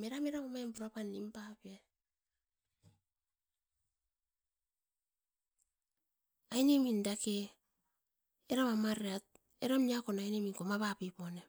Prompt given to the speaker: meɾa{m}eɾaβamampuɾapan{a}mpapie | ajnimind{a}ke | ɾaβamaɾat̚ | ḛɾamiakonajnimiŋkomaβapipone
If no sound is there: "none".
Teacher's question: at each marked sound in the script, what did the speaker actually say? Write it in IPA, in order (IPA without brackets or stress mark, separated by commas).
m, i, a